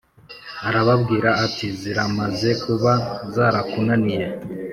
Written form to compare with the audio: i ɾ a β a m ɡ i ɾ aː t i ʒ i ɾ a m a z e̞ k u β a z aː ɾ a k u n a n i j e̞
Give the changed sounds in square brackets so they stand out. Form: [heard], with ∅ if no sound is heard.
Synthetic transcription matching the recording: [a] ɾ a β a [b] ɡ [iː] ɾ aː t i [z] i ɾ a m a z e̞ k u β a z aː ɾ a k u n a n i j e̞